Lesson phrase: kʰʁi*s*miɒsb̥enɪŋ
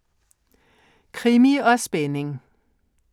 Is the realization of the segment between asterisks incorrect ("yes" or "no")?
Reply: yes